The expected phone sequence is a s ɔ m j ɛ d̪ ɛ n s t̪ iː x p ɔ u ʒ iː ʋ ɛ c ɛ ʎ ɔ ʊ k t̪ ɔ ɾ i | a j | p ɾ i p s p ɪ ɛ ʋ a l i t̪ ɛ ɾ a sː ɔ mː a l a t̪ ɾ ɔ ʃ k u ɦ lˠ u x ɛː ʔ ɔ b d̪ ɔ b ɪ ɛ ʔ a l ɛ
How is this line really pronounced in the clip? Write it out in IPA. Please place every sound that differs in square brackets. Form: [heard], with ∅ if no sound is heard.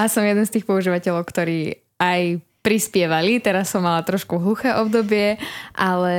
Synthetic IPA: a s ɔ m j ɛ d̪ ɛ n s t̪ iː x p ɔ u ʒ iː ʋ [a] c ɛ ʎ ɔ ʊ k t̪ ɔ ɾ [iː] | a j | p ɾ i [∅] s p ɪ ɛ ʋ a l i t̪ ɛ ɾ a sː ɔ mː a l a t̪ ɾ ɔ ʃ k u ɦ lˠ u x ɛː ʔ ɔ b d̪ ɔ b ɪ ɛ ʔ a l ɛ